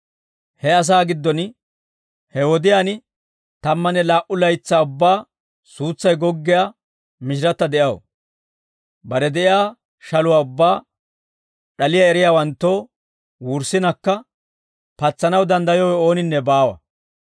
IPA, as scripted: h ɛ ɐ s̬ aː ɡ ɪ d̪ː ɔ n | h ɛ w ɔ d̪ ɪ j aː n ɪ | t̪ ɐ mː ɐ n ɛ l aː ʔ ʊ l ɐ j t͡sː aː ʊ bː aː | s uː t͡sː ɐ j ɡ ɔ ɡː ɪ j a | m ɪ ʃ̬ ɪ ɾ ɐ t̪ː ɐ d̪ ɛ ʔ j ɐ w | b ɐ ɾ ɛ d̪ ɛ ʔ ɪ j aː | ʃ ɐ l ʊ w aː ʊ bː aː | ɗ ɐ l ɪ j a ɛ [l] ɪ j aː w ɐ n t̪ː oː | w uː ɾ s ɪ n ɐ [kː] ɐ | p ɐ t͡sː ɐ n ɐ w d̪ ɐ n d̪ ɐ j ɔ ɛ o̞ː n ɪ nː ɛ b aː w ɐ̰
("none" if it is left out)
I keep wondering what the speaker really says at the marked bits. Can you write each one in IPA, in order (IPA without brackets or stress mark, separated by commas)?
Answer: ɾ, kː